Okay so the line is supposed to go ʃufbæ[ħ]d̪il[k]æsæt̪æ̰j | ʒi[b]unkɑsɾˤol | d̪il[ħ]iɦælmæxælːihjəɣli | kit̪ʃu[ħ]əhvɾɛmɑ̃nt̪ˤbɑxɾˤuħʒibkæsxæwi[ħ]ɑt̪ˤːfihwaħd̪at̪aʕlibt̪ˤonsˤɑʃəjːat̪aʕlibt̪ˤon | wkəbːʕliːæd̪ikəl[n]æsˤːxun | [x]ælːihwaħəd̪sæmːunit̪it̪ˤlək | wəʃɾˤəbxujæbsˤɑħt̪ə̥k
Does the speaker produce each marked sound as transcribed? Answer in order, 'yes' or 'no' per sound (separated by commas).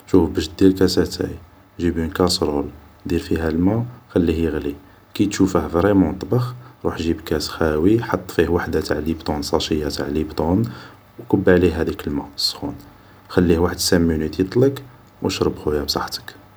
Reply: no, yes, yes, no, no, yes, no, yes